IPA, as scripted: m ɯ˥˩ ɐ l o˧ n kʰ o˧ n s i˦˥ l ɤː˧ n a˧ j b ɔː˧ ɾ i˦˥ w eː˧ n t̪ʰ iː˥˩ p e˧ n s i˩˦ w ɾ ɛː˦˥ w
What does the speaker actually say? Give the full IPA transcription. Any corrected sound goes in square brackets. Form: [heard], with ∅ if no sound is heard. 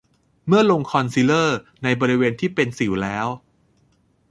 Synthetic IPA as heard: m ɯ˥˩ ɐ l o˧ [ŋ] kʰ [ɔ˧] n s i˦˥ l [ɤː˥˩] n a˧ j b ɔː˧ ɾ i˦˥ w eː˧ n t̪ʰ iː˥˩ p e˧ n s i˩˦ w [l] ɛː˦˥ w